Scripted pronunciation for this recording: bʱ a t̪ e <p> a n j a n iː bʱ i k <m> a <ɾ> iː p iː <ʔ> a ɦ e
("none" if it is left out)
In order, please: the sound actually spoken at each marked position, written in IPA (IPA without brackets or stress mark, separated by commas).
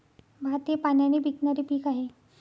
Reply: p, n, ɾ, k